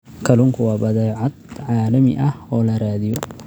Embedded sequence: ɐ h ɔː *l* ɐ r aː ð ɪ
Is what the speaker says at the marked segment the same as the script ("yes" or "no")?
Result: yes